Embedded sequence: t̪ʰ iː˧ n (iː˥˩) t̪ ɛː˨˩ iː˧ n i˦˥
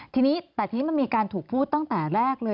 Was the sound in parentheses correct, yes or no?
no